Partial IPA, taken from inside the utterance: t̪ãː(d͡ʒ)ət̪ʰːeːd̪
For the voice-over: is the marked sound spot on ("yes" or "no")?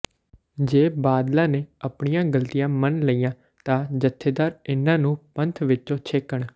yes